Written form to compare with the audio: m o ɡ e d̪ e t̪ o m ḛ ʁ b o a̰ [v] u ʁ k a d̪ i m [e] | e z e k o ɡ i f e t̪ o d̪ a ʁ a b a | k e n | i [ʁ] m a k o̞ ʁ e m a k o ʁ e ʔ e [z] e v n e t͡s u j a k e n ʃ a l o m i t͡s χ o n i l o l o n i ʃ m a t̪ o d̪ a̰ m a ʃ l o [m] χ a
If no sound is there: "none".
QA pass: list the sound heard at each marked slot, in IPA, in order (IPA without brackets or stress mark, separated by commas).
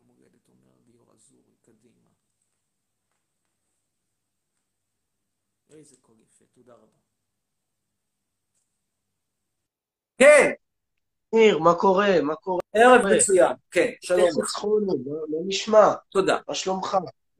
z, a, ʁ, ʁ, m